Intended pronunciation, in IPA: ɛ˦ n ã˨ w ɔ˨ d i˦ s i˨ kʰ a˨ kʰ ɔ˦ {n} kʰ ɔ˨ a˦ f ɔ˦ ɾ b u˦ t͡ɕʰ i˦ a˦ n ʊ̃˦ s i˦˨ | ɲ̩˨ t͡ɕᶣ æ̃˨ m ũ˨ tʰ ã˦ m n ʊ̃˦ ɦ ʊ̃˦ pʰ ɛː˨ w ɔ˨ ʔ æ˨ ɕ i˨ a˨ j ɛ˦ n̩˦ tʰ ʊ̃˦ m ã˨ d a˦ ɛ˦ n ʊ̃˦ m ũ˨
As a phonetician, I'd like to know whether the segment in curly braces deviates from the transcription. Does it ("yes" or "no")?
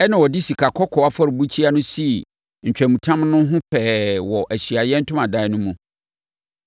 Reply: yes